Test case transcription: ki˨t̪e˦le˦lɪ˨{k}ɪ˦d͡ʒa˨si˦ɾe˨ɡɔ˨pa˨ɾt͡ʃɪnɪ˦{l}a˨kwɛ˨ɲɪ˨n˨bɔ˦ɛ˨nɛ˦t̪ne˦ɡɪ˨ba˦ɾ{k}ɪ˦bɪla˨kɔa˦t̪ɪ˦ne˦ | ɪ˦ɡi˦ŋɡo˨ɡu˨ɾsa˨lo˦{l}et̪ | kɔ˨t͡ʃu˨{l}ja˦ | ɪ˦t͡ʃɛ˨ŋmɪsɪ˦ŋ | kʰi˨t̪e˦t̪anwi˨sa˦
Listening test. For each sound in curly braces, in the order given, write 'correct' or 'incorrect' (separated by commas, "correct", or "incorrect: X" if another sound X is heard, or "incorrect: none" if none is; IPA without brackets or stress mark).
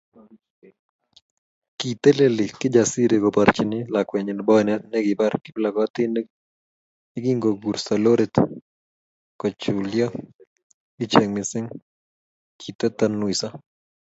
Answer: correct, correct, correct, incorrect: ɾ, correct